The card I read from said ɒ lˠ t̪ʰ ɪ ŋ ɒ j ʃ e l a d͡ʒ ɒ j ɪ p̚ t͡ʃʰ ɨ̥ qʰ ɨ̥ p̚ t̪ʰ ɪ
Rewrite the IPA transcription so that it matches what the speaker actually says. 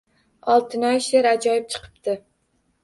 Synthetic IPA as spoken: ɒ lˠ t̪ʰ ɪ n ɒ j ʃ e ɾ a d͡ʒ ɒ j ɪ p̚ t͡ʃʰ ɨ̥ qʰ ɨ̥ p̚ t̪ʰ ɪ